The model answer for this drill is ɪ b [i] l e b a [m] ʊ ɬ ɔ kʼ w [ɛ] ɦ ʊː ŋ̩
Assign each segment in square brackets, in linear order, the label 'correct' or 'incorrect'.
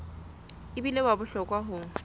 correct, incorrect, incorrect

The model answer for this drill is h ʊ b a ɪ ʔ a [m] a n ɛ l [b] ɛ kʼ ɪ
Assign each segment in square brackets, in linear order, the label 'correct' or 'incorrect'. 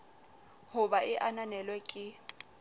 incorrect, incorrect

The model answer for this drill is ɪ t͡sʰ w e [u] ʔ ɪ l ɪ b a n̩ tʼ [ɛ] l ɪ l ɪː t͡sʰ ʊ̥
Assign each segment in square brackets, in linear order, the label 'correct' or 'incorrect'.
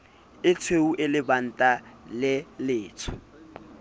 correct, incorrect

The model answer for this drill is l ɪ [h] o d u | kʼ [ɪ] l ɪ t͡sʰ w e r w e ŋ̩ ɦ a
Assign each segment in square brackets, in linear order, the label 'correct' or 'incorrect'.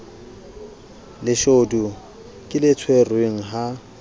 incorrect, correct

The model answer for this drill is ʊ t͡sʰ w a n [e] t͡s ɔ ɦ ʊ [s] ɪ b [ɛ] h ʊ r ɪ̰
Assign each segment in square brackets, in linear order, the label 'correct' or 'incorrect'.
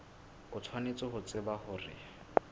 correct, incorrect, incorrect

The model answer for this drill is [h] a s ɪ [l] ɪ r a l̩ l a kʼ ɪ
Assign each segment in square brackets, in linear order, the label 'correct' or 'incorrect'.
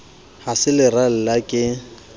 correct, correct

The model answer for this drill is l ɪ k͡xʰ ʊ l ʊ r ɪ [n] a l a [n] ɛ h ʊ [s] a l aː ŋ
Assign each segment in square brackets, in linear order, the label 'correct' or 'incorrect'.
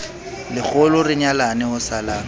incorrect, correct, correct

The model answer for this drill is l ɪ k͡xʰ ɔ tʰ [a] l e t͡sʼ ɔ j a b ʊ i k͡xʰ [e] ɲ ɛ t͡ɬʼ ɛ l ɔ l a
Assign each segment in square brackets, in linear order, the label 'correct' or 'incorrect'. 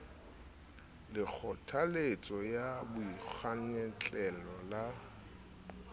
correct, incorrect

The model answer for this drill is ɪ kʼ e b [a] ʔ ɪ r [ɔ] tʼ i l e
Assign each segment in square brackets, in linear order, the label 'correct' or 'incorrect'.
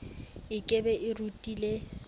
incorrect, incorrect

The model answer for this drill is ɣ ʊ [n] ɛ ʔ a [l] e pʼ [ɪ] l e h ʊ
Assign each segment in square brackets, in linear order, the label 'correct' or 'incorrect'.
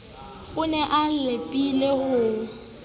correct, correct, incorrect

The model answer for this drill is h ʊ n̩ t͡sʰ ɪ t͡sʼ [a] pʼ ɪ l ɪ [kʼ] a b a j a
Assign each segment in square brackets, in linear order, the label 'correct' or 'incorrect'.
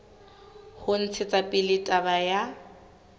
correct, incorrect

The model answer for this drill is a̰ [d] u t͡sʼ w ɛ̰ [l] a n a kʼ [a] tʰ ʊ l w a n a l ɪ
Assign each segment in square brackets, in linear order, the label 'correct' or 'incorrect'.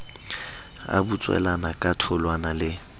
incorrect, correct, correct

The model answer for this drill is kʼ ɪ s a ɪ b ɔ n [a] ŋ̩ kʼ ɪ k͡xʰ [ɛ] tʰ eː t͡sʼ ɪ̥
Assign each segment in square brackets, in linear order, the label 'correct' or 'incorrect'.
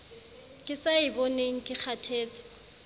incorrect, incorrect

